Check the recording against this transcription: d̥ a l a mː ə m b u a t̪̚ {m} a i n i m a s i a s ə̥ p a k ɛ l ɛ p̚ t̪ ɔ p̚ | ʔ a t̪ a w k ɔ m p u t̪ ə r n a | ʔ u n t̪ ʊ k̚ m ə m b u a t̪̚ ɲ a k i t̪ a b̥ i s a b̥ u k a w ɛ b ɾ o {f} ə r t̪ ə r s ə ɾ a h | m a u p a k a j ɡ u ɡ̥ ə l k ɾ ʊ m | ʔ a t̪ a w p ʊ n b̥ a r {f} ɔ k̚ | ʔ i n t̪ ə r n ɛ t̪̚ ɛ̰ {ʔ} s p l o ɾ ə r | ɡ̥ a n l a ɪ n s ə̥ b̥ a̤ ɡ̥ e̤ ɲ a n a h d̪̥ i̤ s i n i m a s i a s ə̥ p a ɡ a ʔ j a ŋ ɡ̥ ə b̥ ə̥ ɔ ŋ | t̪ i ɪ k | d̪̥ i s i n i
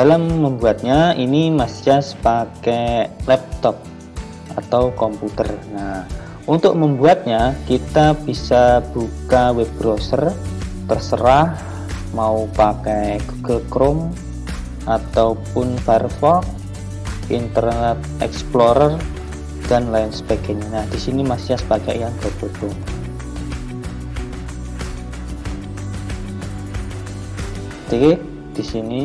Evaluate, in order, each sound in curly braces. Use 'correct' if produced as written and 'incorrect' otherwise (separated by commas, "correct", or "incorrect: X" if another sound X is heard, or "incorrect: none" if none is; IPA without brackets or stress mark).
incorrect: ɲ, incorrect: s, correct, incorrect: k